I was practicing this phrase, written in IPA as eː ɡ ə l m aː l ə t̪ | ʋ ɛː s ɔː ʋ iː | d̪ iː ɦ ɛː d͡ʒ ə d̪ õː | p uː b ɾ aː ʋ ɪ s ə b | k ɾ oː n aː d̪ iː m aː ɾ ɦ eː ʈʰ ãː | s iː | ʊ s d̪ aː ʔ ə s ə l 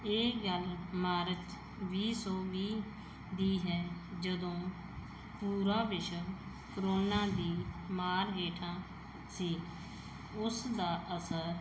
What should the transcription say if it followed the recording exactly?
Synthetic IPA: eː ɡ ə l m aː ɾ ə t̪ | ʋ iː s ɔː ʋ iː | d̪ iː ɦ ɛː d͡ʒ ə d̪ õː | p uː ɾ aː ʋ ɪ ʃ ə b | k ɾ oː n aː d̪ iː m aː ɾ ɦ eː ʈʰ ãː | s iː | ʊ s d̪ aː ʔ ə s ə ɾ

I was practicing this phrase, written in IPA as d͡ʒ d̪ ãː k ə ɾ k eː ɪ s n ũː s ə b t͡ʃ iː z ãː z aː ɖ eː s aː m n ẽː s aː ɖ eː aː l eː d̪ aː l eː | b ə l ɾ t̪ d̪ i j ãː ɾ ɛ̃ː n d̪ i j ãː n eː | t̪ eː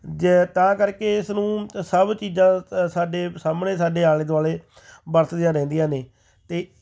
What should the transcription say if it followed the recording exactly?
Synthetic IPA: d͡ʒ t̪ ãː k ə ɾ k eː ɪ s n ũː s ə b t͡ʃ iː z ãː s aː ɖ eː s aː m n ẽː s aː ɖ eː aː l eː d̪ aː l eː | b ə ɾ t̪ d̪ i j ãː ɾ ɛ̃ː n d̪ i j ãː n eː | t̪ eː

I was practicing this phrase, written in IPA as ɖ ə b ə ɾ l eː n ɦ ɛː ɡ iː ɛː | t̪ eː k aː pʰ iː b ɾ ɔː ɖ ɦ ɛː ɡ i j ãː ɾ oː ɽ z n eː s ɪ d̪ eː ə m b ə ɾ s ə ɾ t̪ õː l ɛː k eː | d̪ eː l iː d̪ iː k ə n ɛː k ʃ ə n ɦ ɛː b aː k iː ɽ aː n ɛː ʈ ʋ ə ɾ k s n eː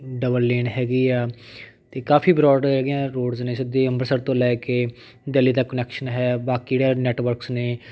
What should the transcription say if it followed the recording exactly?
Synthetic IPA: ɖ ə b ə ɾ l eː n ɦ ɛː ɡ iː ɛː | t̪ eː k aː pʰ iː b ɾ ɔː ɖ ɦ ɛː ɡ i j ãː ɾ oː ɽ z n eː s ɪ d̪ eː ə m b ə ɾ s ə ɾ t̪ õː l ɛː k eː | d̪ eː l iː d̪ aː k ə n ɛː k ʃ ə n ɦ ɛː b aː k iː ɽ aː n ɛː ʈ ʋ ə ɾ k s n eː

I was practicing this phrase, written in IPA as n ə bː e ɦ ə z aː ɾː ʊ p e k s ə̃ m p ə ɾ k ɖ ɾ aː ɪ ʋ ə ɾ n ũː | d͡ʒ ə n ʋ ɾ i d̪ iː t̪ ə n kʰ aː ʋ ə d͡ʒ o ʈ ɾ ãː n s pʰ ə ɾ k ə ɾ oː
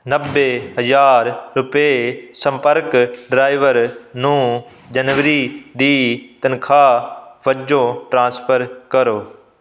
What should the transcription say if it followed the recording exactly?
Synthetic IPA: n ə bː e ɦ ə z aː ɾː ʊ p e s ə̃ m p ə ɾ k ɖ ɾ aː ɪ ʋ ə ɾ n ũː | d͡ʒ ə n ʋ ɾ i d̪ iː t̪ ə n kʰ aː ʋ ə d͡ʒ o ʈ ɾ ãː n s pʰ ə ɾ k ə ɾ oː

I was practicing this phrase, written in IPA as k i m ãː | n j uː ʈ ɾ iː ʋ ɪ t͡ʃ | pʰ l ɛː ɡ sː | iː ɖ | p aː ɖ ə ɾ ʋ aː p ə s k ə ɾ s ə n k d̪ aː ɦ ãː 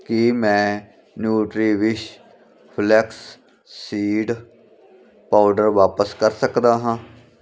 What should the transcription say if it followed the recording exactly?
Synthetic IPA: k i m ɛ̃ː | n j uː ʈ ɾ iː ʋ ɪ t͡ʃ | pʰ l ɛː k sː | iː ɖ | p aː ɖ ə ɾ ʋ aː p ə s k ə ɾ s ə k d̪ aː ɦ ãː

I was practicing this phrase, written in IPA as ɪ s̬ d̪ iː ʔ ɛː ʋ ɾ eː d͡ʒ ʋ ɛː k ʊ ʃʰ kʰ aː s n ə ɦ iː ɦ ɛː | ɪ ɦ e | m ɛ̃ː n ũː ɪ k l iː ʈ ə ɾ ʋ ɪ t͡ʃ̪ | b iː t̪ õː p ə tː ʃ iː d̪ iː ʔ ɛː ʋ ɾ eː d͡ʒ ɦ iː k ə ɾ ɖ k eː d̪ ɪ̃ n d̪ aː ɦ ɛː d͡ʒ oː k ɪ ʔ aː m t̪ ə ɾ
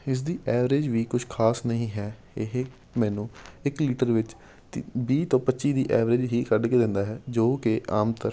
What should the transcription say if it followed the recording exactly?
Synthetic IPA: ɪ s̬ d̪ iː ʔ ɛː ʋ ɾ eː d͡ʒ ʋ iː k ʊ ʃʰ kʰ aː s n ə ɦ ĩː ɦ ɛː | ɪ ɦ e | m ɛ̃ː n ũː ɪ k l iː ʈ ə ɾ ʋ ɪ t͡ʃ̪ | b iː t̪ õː p ə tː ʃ iː d̪ iː ʔ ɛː ʋ ɾ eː d͡ʒ ɦ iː k ə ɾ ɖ k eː d̪ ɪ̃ n d̪ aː ɦ ɛː d͡ʒ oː k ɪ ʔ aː m t̪ ə ɾ

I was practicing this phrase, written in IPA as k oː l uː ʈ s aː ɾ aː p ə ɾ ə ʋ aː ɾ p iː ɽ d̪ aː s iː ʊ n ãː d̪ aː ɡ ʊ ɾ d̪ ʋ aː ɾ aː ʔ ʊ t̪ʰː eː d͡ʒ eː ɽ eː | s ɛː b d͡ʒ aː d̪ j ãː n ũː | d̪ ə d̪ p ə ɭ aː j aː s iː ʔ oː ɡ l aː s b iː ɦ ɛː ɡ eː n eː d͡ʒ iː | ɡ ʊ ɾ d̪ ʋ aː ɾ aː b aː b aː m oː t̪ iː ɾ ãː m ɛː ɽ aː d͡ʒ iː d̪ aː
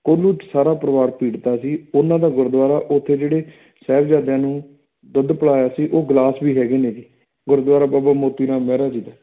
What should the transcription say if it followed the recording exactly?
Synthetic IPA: k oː l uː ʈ s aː ɾ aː p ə ɾ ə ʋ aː ɾ p iː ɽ t̪ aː s iː ʊ n ãː d̪ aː ɡ ʊ ɾ d̪ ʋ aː ɾ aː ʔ ʊ t̪ʰː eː d͡ʒ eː ɽ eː | s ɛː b d͡ʒ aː d̪ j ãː n ũː | d̪ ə d̪ p ə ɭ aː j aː s iː ʔ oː ɡ l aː s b iː ɦ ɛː ɡ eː n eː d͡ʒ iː | ɡ ʊ ɾ d̪ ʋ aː ɾ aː b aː b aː m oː t̪ iː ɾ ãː m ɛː ɾ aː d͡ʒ iː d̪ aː

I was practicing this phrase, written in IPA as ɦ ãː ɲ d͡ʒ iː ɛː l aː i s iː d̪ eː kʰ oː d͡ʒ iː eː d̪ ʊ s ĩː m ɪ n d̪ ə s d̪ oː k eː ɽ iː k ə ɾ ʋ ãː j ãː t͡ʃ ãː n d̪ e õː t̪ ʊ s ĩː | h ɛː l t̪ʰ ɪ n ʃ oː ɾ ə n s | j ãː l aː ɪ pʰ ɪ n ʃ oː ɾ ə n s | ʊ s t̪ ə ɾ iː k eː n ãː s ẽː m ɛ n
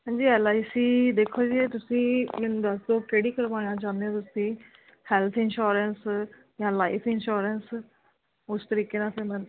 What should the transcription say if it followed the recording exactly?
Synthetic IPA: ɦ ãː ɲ d͡ʒ iː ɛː l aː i s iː d̪ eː kʰ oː d͡ʒ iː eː t̪ ʊ s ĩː m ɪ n d̪ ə s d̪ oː k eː ɽ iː k ə ɾ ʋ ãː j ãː t͡ʃ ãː n d̪ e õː t̪ ʊ s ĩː | h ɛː l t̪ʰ ɪ n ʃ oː ɾ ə n s | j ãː l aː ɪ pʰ ɪ n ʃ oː ɾ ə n s | ʊ s t̪ ə ɾ iː k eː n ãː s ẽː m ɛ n

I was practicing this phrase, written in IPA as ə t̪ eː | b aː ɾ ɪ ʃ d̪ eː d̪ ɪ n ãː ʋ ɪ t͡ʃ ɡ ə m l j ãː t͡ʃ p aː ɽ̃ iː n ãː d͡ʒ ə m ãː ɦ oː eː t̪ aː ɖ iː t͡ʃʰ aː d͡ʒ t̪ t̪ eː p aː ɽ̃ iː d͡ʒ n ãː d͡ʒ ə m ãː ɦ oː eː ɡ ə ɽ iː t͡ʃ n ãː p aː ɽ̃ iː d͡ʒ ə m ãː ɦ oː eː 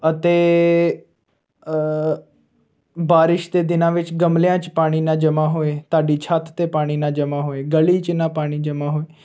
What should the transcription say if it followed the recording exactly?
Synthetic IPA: ə t̪ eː | b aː ɾ ɪ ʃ d̪ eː d̪ ɪ n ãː ʋ ɪ t͡ʃ ɡ ə m l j ãː t͡ʃ p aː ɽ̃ iː n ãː d͡ʒ ə m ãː ɦ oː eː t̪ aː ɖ iː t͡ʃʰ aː t̪ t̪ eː p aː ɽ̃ iː n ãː d͡ʒ ə m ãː ɦ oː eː ɡ ə l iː t͡ʃ n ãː p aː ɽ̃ iː d͡ʒ ə m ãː ɦ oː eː

